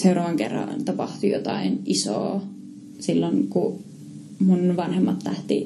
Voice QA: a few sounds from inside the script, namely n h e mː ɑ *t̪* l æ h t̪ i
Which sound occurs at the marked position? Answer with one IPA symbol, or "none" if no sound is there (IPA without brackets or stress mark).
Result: t̪